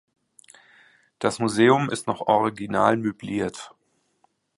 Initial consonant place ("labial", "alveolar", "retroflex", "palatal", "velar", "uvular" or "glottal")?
alveolar